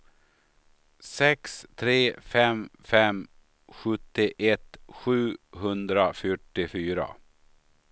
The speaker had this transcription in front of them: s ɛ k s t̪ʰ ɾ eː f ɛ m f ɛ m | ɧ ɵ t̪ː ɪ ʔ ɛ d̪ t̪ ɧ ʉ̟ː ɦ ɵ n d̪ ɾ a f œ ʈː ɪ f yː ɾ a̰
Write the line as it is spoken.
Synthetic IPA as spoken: s ɛ k s t̪ʰ ɾ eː f ɛ m f ɛ m | ɧ ɵ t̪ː ɪ ʔ ɛ t̪ ɧ ʉ̟ː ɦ ɵ n d̪ ɾ a f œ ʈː ɪ f yː ɾ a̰